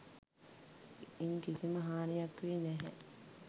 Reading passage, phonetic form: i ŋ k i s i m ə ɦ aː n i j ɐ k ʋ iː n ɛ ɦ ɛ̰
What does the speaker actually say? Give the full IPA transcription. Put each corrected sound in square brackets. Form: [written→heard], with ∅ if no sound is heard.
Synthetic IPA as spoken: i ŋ k i s i m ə ɦ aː n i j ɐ k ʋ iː n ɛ ɦ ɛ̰